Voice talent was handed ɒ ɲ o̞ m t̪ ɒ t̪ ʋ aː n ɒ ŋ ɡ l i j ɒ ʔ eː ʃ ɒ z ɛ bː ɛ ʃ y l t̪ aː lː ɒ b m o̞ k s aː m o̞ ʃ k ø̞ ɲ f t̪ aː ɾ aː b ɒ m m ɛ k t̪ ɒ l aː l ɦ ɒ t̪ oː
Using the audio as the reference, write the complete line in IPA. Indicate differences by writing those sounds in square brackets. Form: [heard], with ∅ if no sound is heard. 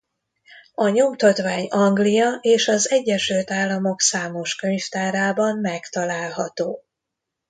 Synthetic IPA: ɒ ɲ o̞ m t̪ ɒ t̪ ʋ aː [ɲ] ɒ ŋ ɡ l i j ɒ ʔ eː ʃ ɒ z ɛ [ɟː] ɛ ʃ y l t̪ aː lː ɒ [∅] m o̞ k s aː m o̞ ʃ k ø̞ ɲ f t̪ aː ɾ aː b ɒ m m ɛ k t̪ ɒ l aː l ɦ ɒ t̪ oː